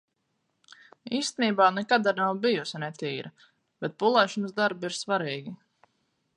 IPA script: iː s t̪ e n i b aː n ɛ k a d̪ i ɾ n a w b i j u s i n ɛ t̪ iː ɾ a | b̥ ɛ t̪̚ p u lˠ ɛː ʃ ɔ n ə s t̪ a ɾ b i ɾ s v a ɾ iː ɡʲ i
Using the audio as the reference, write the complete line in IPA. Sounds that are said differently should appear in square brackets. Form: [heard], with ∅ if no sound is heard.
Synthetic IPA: iː s t̪ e n [iː] b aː n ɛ k a d̪ [a] ɾ n a w b i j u s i n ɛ t̪ iː ɾ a | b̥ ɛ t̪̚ p u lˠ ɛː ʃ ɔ n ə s [d̪] a ɾ b i ɾ s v a ɾ iː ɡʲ i